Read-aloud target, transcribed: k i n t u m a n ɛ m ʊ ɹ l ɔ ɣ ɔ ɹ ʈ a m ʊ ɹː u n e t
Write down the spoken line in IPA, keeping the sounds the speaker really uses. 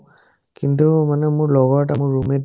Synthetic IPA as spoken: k i n t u m a n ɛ m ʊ ɹ l ɔ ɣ ɔ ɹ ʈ a m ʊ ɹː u m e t